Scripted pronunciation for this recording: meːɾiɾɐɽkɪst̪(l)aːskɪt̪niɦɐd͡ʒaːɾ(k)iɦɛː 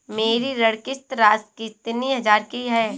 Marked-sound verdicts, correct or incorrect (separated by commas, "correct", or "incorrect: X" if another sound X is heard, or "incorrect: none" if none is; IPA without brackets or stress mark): incorrect: ɾ, correct